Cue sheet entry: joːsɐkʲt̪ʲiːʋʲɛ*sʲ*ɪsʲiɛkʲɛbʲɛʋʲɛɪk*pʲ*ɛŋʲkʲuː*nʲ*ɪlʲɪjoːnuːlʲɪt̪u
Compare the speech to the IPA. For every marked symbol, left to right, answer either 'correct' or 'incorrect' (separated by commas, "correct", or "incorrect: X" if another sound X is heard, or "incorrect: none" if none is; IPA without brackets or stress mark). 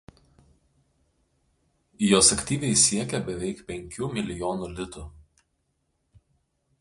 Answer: incorrect: none, correct, incorrect: mʲ